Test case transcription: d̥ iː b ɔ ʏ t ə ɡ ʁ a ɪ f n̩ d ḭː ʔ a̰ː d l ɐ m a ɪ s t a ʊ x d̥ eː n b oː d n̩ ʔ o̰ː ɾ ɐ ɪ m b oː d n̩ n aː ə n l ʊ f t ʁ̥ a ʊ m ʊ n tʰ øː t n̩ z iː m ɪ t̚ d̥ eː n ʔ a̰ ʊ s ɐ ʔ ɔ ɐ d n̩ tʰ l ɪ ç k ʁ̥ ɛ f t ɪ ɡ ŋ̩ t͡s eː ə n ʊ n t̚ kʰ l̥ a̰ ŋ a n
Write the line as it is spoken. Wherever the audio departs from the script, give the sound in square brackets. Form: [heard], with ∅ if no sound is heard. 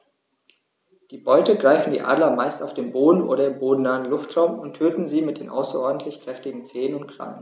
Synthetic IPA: d̥ iː b ɔ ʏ t ə ɡ ʁ a ɪ f n̩ d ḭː ʔ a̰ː d l ɐ m a ɪ s t a ʊ [f] d̥ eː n b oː d n̩ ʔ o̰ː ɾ ɐ ɪ m b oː d n̩ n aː ə n l ʊ f t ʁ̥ a ʊ m ʊ n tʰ øː t n̩ z iː m ɪ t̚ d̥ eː n ʔ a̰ ʊ s ɐ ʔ ɔ ɐ d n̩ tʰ l ɪ ç k ʁ̥ ɛ f t ɪ ɡ ŋ̩ t͡s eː ə n ʊ n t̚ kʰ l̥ a̰ ŋ [ə] n